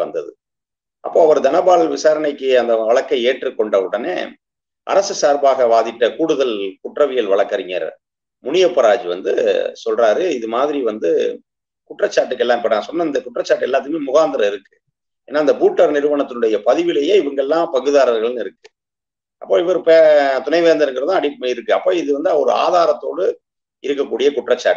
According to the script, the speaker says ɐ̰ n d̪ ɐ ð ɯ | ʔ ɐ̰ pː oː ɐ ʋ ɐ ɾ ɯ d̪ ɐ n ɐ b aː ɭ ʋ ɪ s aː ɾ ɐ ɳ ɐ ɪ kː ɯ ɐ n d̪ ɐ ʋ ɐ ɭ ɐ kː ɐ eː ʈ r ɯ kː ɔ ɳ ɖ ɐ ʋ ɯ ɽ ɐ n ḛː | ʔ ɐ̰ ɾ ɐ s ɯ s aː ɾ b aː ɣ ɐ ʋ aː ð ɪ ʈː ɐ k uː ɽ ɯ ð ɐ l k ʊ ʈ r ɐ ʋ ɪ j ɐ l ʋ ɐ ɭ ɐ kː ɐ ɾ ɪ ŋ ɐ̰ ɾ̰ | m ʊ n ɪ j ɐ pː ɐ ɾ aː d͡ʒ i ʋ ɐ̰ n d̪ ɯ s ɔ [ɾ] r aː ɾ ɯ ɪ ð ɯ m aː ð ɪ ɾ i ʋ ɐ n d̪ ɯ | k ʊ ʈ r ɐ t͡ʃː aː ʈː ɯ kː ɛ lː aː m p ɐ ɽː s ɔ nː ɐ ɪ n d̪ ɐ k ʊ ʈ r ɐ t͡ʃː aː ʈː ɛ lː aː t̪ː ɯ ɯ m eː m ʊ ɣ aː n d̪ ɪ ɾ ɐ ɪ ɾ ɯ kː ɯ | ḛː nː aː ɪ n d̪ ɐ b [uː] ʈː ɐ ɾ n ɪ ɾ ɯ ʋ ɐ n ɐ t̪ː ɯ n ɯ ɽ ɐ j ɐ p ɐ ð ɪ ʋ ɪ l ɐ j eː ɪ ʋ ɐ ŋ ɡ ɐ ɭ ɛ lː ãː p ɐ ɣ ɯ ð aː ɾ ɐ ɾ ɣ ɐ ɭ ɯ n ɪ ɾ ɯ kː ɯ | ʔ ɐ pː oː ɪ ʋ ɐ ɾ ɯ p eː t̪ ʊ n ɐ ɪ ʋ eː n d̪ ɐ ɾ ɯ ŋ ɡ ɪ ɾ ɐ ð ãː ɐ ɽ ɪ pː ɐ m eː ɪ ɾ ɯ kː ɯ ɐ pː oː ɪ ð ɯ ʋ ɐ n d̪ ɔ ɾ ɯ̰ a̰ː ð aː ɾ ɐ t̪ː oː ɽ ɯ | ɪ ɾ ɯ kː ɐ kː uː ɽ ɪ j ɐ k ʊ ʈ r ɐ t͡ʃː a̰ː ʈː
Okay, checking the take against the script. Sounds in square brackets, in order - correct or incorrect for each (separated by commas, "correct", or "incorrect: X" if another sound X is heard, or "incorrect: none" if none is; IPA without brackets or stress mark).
incorrect: l, correct